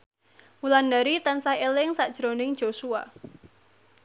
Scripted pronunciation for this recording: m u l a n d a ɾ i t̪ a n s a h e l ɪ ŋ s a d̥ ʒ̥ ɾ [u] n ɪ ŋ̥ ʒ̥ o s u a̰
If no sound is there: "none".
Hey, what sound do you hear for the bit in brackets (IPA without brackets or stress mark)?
o